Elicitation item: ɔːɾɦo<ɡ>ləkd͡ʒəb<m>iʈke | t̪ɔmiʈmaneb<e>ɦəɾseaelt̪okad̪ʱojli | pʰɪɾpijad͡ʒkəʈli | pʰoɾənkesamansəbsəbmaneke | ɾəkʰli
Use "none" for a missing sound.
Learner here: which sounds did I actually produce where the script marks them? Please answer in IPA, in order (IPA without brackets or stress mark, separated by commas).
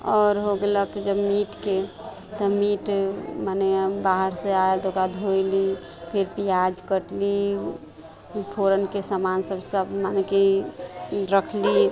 ɡ, m, a